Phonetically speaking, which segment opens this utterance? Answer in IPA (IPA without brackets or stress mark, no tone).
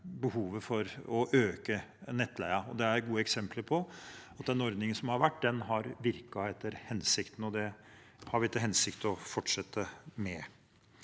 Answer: b